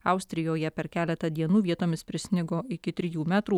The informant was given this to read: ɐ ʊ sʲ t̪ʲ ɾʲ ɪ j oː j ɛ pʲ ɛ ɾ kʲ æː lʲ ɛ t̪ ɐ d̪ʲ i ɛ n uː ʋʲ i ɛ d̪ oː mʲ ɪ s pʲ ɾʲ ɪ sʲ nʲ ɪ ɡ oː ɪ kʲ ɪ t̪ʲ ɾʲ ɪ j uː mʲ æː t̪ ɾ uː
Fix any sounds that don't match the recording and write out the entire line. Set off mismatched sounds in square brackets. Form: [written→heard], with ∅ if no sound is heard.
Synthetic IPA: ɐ ʊ sʲ t̪ʲ ɾʲ ɪ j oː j ɛ pʲ ɛ ɾ kʲ æː lʲ ɛ t̪ ɐ d̪ʲ i ɛ n uː ʋʲ i ɛ [d̪→t̪] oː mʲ ɪ s pʲ ɾʲ ɪ sʲ nʲ ɪ ɡ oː ɪ kʲ ɪ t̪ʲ ɾʲ ɪ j uː mʲ æː t̪ ɾ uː